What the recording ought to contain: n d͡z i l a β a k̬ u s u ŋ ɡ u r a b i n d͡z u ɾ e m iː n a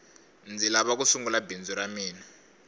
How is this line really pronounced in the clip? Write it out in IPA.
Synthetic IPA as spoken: n d͡z i l a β a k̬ u s u ŋ ɡ u l a b i n d͡z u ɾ a m iː n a

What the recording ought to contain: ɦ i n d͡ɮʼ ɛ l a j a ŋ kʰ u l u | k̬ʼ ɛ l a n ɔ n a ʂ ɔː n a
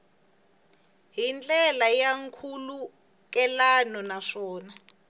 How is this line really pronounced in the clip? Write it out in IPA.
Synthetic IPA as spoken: ɦ i n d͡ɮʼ ɛ l a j a ŋ kʰ u l u | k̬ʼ ɛ l a n ɔ n a ʂ ɔː n a

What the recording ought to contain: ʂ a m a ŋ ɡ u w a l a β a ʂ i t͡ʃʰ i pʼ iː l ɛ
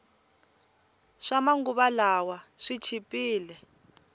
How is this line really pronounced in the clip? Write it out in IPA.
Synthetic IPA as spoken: ʂ a m a ŋ ɡ u β a l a w a ʂ i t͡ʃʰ i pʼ iː l ɛ

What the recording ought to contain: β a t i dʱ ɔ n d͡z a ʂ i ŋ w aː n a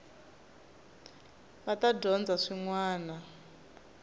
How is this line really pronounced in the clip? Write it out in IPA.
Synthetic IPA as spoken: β a t a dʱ ɔ n d͡z a ʂ i ŋ w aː n a

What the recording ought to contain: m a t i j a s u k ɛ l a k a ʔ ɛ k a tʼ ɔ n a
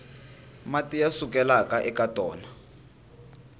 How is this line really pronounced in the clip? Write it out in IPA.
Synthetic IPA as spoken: m a t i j a s u k ɛ l a k a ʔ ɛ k a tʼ ɔː n a

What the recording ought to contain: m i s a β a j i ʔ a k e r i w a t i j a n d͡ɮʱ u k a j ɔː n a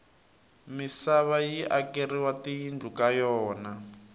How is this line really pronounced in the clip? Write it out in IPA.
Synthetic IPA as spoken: m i s a β a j i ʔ a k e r i w a t i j i n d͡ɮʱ u k a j ɔː n a

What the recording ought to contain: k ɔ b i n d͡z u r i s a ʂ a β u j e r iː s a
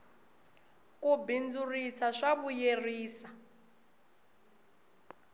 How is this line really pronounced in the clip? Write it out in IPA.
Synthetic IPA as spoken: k u b i n d͡z u r i s a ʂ a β u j e r iː s a

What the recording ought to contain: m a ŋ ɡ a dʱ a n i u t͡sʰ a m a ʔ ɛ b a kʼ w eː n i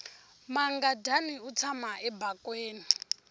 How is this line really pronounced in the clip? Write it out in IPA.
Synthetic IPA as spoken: m a ŋ ɡ a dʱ a n i u t͡sʰ a m a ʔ ɛ b a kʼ w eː n i

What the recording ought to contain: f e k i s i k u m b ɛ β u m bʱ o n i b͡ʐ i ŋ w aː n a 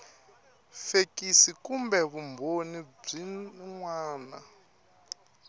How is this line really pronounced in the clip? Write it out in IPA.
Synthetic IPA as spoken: f e k i s i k u m b ɛ β u m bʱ o n i b͡ʐ i ŋ w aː n a

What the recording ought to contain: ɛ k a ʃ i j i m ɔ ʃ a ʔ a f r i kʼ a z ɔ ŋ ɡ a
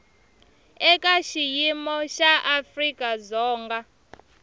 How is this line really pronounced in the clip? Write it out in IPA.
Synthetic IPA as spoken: ɛ k a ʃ i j i m ɔ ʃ a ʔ a f r i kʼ a z ɔː ŋ ɡ a

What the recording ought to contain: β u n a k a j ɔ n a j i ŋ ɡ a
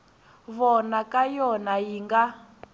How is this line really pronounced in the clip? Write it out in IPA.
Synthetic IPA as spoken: β ɔ n a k a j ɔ n a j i ŋ ɡ a

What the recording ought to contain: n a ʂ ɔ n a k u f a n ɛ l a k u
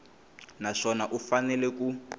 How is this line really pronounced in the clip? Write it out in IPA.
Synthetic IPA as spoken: n a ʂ ɔ n a ʔ u f a n ɛ l ɛ k u

